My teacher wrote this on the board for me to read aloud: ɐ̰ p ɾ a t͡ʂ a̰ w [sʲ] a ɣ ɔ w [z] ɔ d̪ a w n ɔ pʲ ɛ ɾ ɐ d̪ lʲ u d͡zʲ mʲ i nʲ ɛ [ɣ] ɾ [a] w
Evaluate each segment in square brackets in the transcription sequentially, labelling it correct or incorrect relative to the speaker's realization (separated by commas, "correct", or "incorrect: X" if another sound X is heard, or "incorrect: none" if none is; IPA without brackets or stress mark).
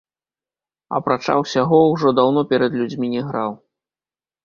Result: correct, incorrect: ʐ, correct, correct